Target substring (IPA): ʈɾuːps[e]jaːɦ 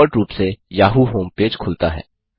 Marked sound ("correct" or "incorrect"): correct